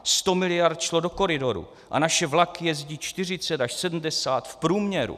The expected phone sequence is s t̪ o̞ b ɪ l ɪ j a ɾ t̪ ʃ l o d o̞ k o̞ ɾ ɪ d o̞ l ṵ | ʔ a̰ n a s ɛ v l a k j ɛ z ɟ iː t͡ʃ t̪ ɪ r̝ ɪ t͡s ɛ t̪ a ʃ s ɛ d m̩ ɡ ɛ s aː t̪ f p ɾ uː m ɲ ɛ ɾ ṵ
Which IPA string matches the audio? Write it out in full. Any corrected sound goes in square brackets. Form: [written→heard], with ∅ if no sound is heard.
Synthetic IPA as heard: s t̪ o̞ [b→m] ɪ l ɪ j a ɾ t̪ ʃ l o d o̞ k o̞ ɾ ɪ d o̞ [l→ɾ] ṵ | ʔ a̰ n a [s→ʃ] ɛ v l a k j ɛ z ɟ iː t͡ʃ t̪ ɪ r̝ ɪ t͡s ɛ t̪ a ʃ s ɛ d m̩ [ɡ→d] ɛ s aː t̪ f p ɾ uː m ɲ ɛ ɾ ṵ

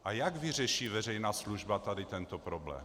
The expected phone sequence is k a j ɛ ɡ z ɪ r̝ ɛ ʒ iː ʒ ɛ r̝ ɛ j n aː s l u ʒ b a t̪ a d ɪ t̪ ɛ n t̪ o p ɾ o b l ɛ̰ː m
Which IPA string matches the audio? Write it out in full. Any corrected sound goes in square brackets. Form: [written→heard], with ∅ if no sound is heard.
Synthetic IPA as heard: [k→ʔ] a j [ɛ→a] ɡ [z→v] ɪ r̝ ɛ [ʒ→ʃ] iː [ʒ→v] ɛ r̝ ɛ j n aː s l u ʒ b a t̪ a d ɪ t̪ ɛ n t̪ o p ɾ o b l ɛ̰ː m

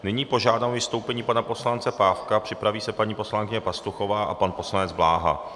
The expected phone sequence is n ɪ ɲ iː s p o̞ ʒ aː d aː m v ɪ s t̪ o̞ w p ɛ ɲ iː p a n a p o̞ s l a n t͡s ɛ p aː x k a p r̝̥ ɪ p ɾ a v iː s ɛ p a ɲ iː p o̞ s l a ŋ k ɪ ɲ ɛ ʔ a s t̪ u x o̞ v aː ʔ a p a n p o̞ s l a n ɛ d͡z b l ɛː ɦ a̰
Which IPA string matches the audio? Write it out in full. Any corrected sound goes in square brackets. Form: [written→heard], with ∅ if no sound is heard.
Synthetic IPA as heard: n ɪ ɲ iː [s→∅] p o̞ ʒ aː d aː m v ɪ s t̪ o̞ w p ɛ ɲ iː p a n a p o̞ s l a n t͡s ɛ p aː [x→f] k a p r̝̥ ɪ p ɾ a v iː s ɛ p a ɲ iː p o̞ s l a ŋ k ɪ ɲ ɛ [ʔ→p] a s t̪ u x o̞ v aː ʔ a p a n p o̞ s l a n ɛ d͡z b l [ɛː→aː] ɦ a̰

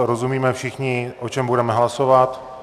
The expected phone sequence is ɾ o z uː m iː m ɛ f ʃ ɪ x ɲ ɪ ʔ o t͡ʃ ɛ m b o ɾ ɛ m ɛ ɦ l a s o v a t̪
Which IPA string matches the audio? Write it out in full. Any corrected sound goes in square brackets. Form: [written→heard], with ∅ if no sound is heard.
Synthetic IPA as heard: ɾ o z [uː→u] m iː m ɛ f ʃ ɪ x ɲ ɪ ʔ o t͡ʃ ɛ m b [o→u] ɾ ɛ m ɛ ɦ l a s o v a t̪

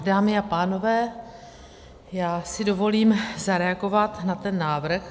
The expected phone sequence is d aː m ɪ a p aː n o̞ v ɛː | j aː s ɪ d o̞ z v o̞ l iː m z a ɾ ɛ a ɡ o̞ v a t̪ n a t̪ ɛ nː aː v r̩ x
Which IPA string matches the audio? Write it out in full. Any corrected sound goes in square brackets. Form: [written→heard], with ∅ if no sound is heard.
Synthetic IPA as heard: d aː m ɪ a p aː n o̞ v ɛː | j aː s ɪ d o̞ [z→∅] v o̞ l iː m z a ɾ ɛ a ɡ o̞ v a t̪ n a t̪ ɛ nː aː v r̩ x

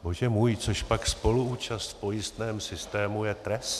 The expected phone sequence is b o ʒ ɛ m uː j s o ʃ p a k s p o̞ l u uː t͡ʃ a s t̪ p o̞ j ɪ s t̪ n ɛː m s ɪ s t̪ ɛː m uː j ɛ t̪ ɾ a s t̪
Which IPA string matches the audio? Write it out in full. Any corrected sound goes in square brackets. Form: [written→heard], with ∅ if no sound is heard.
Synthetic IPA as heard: b o ʒ ɛ m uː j [s→t͡s] o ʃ p a k s p o̞ l u uː t͡ʃ a s t̪ p o̞ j ɪ s t̪ n ɛː m s ɪ s t̪ ɛː m [uː→u] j ɛ t̪ ɾ [a→ɛ] s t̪

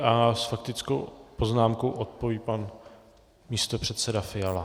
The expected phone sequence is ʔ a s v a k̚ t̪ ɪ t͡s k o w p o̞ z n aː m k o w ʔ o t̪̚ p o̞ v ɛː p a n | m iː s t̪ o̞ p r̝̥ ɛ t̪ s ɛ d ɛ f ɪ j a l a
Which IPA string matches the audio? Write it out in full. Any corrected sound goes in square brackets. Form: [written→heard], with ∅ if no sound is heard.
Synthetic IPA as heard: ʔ a s [v→f] a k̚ t̪ ɪ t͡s k o w p o̞ z n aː m k o w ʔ o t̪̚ p o̞ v [ɛː→iː] p a n | m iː s t̪ o̞ p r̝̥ ɛ t̪ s ɛ d [ɛ→a] f ɪ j a l a

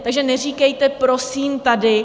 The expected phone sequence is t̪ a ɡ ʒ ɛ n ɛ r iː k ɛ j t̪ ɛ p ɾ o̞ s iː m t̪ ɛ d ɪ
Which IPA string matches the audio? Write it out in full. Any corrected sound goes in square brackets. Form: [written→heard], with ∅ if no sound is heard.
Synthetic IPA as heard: t̪ a ɡ ʒ ɛ n ɛ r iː k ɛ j t̪ ɛ p ɾ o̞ s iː m t̪ [ɛ→a] d ɪ

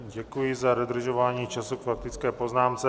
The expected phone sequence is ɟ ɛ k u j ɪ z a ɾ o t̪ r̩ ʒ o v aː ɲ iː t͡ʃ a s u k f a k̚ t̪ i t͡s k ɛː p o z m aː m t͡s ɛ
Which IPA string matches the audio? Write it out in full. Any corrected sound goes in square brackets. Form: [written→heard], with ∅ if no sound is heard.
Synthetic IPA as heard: ɟ ɛ k u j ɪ z a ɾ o [t̪→d̪] r̩ ʒ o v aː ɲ iː t͡ʃ a s u k f a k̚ t̪ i t͡s k ɛː p o z [m→n] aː m t͡s ɛ

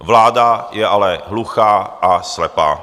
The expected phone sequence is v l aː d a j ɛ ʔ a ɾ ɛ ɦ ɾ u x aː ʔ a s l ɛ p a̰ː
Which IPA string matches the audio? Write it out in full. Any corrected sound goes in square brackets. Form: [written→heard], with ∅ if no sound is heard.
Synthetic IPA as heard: v l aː d a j ɛ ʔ a [ɾ→l] ɛ ɦ [ɾ→l] u x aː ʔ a s l ɛ p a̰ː

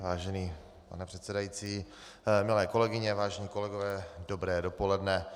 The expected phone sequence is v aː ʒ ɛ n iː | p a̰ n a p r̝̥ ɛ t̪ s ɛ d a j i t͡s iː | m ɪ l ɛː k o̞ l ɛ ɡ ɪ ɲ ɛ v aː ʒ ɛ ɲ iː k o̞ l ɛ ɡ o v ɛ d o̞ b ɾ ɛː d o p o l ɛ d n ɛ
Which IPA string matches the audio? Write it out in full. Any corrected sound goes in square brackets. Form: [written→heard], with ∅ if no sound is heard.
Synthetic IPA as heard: v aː ʒ ɛ n iː | p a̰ n [a→ɛ] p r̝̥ ɛ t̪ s ɛ d a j i t͡s iː | m ɪ l ɛː k o̞ l ɛ ɡ ɪ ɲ ɛ v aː ʒ ɛ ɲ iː k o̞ l ɛ ɡ o v [ɛ→ɛː] d o̞ b ɾ ɛː d o p o l ɛ d n ɛ

